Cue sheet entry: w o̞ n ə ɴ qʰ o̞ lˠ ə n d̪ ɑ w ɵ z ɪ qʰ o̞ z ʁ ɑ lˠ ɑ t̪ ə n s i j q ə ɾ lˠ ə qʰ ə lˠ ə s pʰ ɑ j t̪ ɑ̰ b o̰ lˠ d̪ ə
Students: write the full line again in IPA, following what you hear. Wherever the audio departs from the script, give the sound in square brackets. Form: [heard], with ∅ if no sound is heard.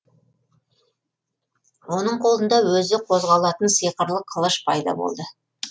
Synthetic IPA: w o̞ n ə ɴ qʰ o̞ lˠ ə n d̪ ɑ w ɵ z ɪ qʰ o̞ z ʁ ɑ lˠ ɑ t̪ ə n s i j q ə ɾ lˠ ə qʰ ə lˠ ə [ʃ] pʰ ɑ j [d̪] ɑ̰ b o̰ lˠ d̪ ə